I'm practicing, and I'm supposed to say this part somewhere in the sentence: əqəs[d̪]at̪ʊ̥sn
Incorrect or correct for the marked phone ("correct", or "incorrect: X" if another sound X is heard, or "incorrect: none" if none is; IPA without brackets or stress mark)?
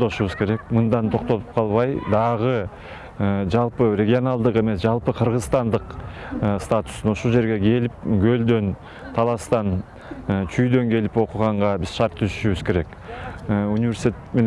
incorrect: t̪